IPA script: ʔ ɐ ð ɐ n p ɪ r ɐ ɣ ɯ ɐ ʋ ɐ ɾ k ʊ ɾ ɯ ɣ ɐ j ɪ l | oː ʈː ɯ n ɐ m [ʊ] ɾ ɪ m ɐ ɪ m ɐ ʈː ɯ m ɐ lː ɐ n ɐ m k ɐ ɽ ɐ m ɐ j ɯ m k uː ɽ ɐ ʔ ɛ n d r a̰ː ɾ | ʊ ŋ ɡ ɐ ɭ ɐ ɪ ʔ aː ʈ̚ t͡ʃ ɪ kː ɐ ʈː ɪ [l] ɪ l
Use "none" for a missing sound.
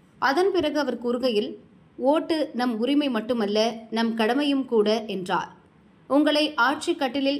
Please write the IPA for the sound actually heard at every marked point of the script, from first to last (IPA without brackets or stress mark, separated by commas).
ʊ, l